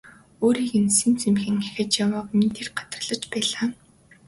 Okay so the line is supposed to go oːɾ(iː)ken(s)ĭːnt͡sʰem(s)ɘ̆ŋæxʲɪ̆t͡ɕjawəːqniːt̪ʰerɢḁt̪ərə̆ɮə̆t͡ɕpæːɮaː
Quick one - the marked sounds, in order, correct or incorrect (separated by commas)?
correct, correct, incorrect